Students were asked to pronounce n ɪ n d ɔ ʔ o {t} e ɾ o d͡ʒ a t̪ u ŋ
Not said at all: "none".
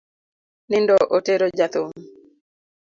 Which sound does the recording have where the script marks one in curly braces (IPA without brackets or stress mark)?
t